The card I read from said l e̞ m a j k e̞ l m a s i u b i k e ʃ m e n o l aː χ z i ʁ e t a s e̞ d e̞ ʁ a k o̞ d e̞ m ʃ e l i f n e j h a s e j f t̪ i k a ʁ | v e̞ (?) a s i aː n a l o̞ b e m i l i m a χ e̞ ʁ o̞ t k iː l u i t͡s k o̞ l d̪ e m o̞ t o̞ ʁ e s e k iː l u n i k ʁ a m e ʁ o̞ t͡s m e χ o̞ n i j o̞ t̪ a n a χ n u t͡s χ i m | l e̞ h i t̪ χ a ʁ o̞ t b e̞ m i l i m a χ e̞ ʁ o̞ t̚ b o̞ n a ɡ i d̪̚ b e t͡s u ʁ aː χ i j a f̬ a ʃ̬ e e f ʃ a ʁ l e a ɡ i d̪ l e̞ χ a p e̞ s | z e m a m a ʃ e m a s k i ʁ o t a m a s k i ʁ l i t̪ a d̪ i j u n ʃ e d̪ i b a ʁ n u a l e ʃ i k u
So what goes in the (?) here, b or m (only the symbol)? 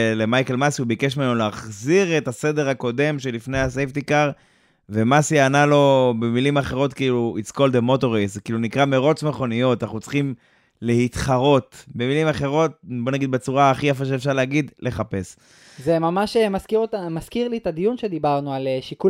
m